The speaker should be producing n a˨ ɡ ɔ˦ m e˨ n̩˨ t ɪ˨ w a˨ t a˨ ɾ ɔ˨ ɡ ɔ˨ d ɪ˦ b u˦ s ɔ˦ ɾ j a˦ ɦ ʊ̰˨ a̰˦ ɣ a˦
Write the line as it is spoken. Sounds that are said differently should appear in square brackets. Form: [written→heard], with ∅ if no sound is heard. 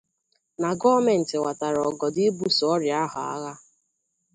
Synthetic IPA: n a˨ ɡ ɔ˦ m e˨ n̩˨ t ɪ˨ w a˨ t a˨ ɾ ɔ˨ ɡ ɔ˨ d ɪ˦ b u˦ s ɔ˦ ɾ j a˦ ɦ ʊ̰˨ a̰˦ ɣ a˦